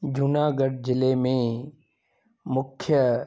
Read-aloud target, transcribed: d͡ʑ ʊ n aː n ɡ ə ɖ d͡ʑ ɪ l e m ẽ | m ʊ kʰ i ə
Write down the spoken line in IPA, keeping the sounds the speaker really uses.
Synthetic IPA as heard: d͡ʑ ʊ n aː ɡ ə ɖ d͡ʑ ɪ l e m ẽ | m ʊ kʰ j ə